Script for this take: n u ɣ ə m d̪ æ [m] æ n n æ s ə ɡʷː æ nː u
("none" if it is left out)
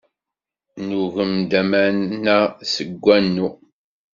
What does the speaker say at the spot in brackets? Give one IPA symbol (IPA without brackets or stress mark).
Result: m